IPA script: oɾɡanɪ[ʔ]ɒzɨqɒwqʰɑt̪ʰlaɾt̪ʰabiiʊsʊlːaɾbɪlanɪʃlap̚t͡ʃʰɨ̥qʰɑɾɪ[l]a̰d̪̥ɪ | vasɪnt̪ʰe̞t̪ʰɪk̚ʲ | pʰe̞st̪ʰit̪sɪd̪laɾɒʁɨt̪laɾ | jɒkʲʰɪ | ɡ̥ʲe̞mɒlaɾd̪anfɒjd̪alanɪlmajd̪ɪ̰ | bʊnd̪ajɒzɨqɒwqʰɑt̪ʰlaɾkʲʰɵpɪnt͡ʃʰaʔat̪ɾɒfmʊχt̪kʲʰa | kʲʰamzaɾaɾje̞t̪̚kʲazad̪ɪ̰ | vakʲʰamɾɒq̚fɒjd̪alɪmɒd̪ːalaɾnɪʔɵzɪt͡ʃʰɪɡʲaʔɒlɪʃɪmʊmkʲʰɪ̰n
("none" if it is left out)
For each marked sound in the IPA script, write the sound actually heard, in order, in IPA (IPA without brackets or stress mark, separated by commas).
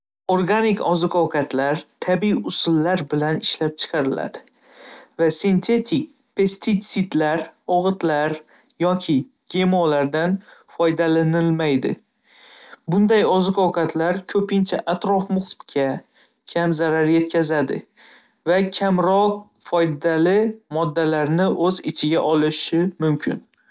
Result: k, l